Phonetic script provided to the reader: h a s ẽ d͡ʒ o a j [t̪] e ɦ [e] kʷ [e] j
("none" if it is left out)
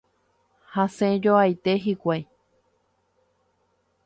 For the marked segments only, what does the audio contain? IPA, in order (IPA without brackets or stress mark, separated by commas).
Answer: t̪, i, a